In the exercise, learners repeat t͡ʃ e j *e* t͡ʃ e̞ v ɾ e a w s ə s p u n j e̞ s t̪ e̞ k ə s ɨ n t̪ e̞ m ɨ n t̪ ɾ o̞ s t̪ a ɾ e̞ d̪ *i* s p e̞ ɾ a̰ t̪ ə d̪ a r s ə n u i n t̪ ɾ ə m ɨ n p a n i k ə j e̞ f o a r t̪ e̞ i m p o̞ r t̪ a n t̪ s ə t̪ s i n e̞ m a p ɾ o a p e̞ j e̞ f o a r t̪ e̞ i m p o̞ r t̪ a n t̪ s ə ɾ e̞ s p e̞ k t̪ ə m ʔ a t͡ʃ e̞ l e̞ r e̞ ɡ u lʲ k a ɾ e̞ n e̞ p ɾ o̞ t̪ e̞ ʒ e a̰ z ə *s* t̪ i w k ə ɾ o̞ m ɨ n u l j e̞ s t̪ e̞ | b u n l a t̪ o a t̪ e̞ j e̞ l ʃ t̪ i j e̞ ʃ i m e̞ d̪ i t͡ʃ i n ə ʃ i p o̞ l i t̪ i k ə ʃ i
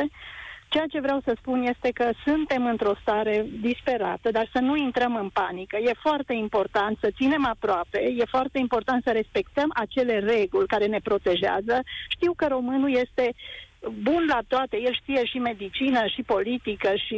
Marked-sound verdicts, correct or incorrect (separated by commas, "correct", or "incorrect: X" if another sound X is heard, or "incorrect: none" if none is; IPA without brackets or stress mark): incorrect: a, correct, incorrect: ʃ